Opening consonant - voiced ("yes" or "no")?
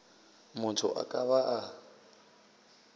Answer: yes